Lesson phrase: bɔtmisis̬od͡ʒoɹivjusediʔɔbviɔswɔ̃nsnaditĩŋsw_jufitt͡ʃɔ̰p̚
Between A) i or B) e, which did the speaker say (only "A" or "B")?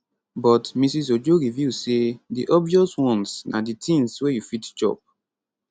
B